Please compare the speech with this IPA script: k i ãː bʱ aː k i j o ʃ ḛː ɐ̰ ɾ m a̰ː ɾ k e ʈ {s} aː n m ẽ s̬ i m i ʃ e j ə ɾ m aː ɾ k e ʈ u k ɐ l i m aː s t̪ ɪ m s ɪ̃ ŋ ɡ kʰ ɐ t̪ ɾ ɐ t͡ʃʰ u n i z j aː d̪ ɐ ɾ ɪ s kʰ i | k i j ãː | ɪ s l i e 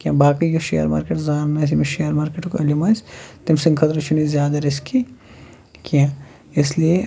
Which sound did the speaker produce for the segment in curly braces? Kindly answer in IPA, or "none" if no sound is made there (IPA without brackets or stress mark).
z